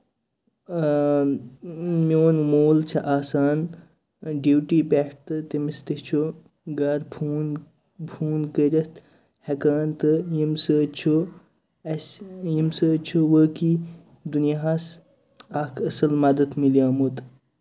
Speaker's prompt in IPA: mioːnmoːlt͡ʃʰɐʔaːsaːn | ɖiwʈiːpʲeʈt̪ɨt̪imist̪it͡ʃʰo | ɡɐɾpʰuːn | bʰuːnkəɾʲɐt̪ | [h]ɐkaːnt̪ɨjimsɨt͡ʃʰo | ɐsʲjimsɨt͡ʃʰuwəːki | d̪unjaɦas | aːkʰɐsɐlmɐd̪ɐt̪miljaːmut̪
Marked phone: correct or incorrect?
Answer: correct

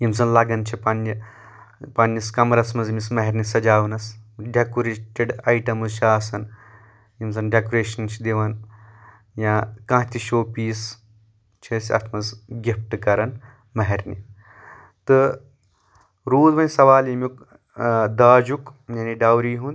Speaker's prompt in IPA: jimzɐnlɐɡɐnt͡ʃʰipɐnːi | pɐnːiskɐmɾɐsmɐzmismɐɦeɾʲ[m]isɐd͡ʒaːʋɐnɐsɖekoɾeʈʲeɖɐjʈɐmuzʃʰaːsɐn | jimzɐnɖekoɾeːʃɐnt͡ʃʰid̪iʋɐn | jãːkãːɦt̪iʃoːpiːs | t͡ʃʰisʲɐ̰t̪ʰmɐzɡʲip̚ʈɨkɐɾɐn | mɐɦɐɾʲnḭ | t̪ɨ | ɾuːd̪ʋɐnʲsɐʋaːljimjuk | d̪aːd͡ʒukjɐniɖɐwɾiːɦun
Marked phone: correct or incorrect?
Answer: incorrect: n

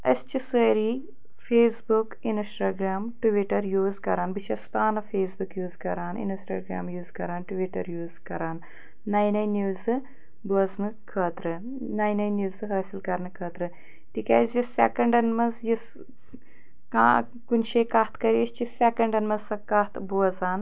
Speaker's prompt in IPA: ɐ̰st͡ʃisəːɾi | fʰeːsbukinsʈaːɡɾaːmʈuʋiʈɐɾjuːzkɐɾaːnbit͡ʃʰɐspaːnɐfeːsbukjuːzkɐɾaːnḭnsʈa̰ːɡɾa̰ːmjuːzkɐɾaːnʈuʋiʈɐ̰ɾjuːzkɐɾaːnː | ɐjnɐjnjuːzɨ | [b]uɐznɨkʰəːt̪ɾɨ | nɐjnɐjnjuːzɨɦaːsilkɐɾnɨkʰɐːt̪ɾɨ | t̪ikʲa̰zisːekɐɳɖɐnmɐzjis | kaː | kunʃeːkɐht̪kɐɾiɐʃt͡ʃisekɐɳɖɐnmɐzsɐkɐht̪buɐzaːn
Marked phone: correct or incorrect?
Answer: correct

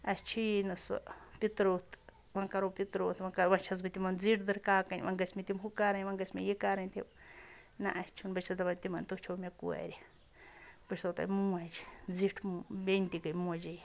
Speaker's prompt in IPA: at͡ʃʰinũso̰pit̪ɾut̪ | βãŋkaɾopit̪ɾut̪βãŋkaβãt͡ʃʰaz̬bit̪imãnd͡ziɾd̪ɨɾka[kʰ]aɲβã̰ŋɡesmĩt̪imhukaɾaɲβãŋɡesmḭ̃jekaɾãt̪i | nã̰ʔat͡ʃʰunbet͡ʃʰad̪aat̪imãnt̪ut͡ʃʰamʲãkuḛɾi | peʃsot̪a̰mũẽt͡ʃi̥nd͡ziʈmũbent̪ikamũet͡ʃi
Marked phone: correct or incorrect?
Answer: incorrect: k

